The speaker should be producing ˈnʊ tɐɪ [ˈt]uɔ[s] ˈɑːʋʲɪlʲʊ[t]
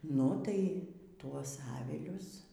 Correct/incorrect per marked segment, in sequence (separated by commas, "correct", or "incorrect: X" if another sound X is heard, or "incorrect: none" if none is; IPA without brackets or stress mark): correct, correct, incorrect: s